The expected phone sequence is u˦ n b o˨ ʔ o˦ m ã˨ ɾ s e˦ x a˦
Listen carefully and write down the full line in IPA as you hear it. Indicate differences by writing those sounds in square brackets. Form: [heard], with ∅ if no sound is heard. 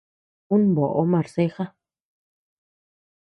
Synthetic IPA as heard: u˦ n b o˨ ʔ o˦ m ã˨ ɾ s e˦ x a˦